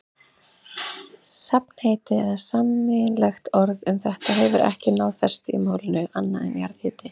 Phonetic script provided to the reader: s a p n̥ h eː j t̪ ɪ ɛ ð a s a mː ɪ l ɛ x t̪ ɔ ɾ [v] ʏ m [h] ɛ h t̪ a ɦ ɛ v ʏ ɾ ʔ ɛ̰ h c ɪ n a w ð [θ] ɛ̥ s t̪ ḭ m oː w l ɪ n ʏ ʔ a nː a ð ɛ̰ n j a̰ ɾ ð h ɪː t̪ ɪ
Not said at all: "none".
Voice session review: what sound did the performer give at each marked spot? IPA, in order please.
ð, θ, f

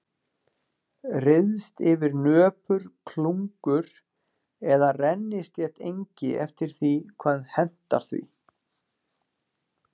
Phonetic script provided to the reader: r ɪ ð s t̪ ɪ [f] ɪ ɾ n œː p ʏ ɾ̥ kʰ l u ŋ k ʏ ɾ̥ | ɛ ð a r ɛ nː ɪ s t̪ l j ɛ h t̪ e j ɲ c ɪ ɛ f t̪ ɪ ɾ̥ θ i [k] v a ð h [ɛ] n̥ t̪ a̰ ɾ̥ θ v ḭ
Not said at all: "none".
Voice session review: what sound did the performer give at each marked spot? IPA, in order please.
v, kʰ, ɛ

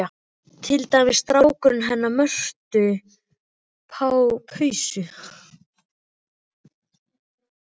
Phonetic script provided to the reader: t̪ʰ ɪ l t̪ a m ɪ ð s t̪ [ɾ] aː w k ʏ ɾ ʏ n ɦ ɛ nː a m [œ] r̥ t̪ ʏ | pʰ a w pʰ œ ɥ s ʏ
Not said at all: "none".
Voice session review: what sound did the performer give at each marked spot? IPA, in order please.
ɾ, œ

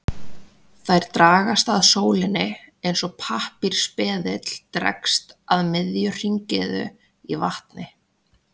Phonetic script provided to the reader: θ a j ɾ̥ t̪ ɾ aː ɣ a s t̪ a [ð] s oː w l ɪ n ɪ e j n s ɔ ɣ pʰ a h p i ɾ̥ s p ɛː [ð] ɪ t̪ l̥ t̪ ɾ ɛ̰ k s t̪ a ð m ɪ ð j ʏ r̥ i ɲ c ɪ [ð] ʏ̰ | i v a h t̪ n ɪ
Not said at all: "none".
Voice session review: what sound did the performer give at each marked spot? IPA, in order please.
ð, ð, ð

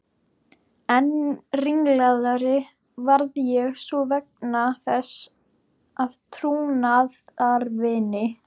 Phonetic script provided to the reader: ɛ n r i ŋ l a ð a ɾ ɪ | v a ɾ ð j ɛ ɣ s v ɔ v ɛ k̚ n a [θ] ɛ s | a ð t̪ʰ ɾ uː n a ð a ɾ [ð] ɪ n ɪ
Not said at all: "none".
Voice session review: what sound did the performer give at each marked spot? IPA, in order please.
θ, v

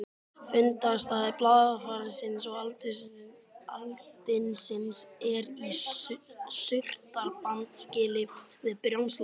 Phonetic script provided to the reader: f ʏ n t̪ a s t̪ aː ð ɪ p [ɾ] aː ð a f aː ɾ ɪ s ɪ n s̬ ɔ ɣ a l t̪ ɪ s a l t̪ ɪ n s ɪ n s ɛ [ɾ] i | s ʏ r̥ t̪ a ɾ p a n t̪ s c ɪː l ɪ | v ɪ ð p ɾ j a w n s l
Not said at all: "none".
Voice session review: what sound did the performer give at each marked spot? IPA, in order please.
l, ɾ

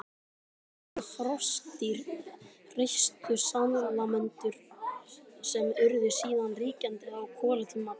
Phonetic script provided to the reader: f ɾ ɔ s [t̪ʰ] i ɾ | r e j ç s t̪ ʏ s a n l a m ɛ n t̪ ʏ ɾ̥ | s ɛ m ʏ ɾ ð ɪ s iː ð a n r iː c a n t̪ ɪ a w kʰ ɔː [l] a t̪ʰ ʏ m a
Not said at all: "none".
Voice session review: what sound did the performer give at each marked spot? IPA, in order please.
t̪, l

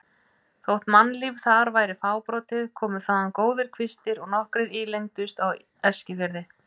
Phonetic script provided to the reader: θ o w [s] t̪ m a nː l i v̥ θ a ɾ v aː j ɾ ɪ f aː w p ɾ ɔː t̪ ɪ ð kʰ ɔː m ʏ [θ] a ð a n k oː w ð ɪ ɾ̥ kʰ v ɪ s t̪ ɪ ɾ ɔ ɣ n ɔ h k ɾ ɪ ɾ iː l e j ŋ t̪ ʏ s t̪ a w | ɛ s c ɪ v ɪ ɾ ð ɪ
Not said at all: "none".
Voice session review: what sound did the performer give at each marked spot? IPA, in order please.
h, θ

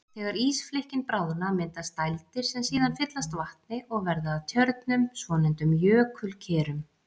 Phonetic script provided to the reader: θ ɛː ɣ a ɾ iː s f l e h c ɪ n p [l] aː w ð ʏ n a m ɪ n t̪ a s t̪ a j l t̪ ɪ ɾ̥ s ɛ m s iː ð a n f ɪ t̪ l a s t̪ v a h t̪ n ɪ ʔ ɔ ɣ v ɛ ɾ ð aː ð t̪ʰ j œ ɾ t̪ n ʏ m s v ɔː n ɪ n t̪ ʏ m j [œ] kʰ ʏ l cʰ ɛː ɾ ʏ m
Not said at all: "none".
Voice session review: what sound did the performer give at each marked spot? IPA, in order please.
ɾ, œː

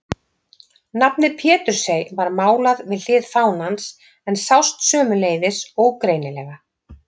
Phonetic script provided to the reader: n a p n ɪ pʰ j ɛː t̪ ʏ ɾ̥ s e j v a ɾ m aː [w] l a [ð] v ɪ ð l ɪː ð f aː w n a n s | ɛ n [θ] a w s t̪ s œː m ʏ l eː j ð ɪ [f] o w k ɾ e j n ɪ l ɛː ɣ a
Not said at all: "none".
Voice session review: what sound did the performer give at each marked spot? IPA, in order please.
w, ð, s, s

